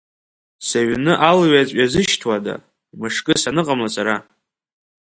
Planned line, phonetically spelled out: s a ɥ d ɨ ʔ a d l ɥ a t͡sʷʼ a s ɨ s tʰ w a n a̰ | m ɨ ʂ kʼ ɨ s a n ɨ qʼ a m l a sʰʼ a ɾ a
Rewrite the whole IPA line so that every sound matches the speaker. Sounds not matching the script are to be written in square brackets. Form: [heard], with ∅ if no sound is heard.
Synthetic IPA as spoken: s a ɥ [n] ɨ ʔ a [∅] l ɥ a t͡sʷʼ a [z] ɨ [ʃ] tʰ w a [d] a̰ | m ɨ ʂ kʼ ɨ s a n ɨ qʼ a m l a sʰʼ a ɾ a